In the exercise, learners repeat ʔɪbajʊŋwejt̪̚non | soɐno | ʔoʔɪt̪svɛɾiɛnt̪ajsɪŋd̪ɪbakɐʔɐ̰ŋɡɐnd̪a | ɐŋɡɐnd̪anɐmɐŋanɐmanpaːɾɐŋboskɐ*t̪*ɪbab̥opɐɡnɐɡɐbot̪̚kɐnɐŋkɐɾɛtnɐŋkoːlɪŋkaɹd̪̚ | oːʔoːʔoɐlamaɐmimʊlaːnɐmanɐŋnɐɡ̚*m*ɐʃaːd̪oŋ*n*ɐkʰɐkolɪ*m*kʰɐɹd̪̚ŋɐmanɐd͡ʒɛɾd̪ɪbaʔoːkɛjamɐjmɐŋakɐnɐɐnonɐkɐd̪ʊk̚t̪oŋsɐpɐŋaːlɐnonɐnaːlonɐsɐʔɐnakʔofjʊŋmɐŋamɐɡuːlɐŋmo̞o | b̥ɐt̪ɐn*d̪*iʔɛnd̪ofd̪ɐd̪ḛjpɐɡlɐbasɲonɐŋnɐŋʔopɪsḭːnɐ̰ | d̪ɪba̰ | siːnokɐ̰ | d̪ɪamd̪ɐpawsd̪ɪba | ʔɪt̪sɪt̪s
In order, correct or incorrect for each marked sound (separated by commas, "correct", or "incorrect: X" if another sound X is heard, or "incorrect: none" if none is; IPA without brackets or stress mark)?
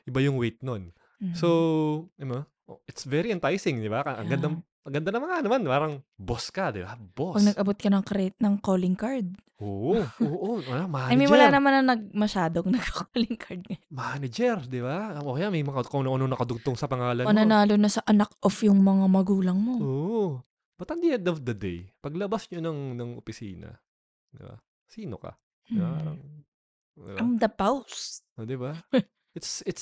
incorrect: d̪, correct, correct, incorrect: ŋ, correct